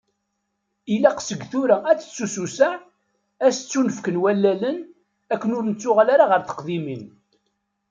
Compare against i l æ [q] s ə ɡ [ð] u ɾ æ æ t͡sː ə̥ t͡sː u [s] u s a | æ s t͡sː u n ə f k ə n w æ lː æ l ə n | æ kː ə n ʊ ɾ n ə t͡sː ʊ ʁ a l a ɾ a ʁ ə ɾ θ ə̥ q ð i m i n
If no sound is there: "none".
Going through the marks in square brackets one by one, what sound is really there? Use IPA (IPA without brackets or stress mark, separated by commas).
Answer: q, θ, s